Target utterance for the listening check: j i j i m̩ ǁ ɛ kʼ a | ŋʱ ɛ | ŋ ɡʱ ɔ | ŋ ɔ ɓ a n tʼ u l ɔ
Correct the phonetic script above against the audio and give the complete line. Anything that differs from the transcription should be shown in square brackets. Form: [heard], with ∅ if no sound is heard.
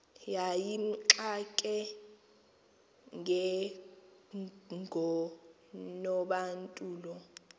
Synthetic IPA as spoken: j [a] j i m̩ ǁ [a] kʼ [ɛ] | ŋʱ ɛ | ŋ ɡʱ ɔ | [n] ɔ ɓ a n tʼ [uː] l ɔ